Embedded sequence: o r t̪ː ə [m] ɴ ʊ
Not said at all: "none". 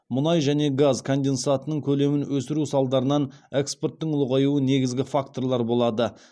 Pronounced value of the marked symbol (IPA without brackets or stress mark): none